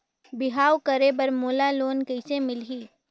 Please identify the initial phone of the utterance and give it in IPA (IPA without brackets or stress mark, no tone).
b